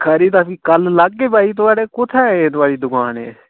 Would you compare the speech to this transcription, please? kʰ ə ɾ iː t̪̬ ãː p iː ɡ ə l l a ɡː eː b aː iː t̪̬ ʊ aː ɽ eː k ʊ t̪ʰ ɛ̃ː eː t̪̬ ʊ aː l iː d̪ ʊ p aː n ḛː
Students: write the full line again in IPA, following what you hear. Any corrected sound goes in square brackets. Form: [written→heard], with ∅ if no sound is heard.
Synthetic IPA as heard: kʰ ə ɾ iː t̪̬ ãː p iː [ɡ→k] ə l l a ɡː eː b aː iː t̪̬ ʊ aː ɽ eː k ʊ t̪ʰ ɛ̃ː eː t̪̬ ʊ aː [l→ɽ] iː d̪ ʊ [p→k] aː n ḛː

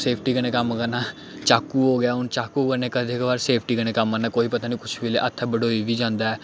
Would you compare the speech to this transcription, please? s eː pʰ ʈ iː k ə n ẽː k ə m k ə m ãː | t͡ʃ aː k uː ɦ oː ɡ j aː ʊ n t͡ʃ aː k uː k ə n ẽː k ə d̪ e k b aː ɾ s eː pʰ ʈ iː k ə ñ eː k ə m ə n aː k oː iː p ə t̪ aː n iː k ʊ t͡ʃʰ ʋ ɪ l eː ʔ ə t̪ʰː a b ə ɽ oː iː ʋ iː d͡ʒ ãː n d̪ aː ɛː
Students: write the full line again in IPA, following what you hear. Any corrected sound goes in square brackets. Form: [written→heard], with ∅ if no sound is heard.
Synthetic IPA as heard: s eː pʰ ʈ iː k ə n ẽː k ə m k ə [m→n] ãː | t͡ʃ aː k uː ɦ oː ɡ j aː ʊ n t͡ʃ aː k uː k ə n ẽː k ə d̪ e k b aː ɾ s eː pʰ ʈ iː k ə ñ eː k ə m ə n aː k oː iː p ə t̪ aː n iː k ʊ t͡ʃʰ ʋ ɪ l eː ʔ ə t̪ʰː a b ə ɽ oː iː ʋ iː d͡ʒ ãː n d̪ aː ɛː

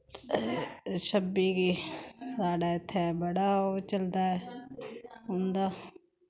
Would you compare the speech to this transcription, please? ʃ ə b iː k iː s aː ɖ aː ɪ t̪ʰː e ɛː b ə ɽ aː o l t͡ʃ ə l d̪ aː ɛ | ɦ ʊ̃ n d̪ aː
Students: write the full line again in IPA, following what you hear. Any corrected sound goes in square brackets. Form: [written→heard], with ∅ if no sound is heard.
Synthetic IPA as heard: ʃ ə b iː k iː s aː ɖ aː ɪ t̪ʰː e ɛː b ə ɽ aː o [l→∅] t͡ʃ ə l d̪ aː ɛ | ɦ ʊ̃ n d̪ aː

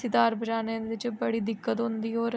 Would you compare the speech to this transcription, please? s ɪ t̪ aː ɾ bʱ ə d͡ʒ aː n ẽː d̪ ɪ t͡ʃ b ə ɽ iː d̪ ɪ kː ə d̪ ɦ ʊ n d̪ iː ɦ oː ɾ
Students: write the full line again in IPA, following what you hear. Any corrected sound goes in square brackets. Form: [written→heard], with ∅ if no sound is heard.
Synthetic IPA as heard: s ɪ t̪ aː ɾ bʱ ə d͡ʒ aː n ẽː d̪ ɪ t͡ʃ b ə ɽ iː d̪ ɪ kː ə [d̪→t̪] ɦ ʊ n d̪ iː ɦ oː ɾ

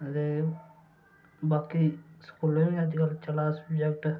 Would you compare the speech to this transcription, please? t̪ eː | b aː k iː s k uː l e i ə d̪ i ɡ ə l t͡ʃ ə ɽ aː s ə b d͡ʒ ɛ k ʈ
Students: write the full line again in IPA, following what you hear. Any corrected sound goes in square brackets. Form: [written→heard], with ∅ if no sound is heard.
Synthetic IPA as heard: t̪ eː | b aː k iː s k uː l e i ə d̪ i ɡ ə l t͡ʃ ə [ɽ→l] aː s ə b d͡ʒ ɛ k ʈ

